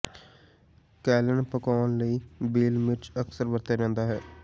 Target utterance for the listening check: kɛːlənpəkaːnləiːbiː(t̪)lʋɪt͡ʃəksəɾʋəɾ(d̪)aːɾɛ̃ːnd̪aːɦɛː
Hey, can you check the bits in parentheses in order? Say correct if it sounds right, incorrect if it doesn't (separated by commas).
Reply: incorrect, incorrect